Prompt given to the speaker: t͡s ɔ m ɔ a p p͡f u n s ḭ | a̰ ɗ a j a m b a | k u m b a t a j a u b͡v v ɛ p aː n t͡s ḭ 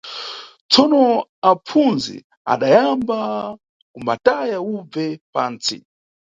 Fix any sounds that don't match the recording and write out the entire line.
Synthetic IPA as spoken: t͡s ɔ n ɔ a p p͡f u n z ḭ | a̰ ɗ a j a m b a | k u m b a t a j a u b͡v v ɛ p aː n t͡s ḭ